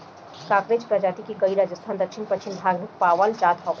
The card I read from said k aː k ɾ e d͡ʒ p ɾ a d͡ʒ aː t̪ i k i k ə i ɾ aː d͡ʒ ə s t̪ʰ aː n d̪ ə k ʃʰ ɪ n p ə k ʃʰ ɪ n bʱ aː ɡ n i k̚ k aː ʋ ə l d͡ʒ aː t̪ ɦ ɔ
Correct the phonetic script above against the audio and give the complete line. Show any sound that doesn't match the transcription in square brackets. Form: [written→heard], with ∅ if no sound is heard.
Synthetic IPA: k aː k ɾ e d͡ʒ p ɾ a d͡ʒ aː t̪ i k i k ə i ɾ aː d͡ʒ ə s t̪ʰ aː n d̪ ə k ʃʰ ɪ n p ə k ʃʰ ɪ n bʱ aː ɡ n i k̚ [k→p] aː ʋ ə l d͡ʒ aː t̪ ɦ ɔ

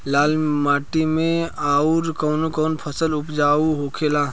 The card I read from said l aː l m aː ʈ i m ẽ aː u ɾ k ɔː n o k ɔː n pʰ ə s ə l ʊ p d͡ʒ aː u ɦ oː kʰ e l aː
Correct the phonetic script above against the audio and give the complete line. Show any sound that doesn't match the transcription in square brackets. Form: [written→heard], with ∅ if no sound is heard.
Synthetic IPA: l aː l m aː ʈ i m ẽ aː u ɾ k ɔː n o k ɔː n pʰ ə s ə l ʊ p d͡ʒ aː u ɦ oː kʰ e l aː

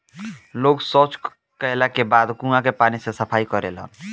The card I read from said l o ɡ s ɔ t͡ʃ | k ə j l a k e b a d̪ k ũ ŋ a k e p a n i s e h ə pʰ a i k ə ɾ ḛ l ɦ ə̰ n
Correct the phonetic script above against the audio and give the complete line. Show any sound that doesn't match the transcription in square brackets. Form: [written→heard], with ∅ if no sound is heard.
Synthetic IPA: l o ɡ s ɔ t͡ʃ | k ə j l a k e b a d̪ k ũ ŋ a k e p a n i s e [h→s] ə pʰ a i k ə ɾ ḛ l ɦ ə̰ n

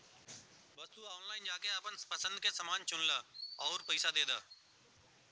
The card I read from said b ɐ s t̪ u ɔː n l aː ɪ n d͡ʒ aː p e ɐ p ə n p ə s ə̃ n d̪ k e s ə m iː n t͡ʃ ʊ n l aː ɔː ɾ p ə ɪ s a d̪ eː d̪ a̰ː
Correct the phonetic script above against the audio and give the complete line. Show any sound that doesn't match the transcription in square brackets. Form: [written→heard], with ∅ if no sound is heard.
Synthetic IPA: b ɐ s t̪ u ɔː n l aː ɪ n d͡ʒ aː [p→k] e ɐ p ə n p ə s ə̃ n d̪ k e s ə m [iː→aː] n t͡ʃ ʊ n l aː ɔː ɾ p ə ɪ s a d̪ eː d̪ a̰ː

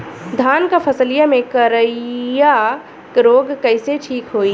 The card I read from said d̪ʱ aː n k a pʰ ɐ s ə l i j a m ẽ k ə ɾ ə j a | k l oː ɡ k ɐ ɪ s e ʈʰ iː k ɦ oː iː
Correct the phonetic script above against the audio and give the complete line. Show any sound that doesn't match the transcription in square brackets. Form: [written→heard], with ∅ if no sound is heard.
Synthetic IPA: d̪ʱ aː n k a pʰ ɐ s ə l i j a m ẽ k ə ɾ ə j a | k [l→ɾ] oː ɡ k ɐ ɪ s e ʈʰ iː k ɦ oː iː

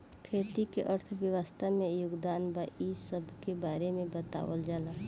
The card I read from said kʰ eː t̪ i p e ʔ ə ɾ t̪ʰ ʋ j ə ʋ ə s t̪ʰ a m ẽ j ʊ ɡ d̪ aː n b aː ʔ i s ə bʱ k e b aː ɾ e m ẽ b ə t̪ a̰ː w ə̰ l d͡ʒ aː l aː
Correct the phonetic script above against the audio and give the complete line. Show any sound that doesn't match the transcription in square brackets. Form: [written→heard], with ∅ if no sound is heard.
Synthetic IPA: kʰ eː t̪ i [p→k] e ʔ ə ɾ t̪ʰ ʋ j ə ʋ ə s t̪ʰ a m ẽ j ʊ ɡ d̪ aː n b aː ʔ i s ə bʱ k e b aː ɾ e m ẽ b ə t̪ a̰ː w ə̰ l d͡ʒ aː l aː

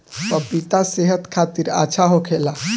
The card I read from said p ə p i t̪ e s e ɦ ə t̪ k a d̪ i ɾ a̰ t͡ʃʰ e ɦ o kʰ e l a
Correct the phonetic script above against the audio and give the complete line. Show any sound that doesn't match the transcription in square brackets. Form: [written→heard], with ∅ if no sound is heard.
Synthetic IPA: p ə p i t̪ [e→a] s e ɦ ə t̪ [k→kʰ] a [d̪→t̪] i ɾ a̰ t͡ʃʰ [e→a] ɦ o kʰ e l a

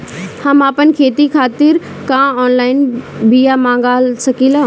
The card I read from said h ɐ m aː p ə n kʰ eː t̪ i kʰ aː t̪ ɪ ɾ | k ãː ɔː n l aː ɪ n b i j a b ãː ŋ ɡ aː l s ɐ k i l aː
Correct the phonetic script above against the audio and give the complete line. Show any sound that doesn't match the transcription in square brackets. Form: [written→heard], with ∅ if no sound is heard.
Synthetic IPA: h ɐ m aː p ə n kʰ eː t̪ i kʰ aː t̪ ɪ ɾ | k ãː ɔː n l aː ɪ n b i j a [b→m] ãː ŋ ɡ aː l s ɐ k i l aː

